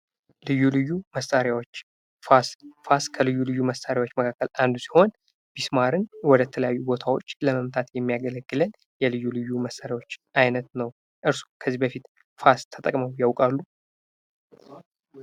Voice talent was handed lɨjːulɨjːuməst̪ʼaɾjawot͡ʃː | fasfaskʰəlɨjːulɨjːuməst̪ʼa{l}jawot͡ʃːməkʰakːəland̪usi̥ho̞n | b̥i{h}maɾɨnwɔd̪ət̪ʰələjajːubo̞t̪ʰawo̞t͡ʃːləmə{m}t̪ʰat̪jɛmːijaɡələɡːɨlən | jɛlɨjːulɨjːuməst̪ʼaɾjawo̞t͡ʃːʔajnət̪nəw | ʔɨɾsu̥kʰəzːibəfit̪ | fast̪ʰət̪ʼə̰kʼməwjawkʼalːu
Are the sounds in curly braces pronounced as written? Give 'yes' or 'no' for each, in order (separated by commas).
no, no, yes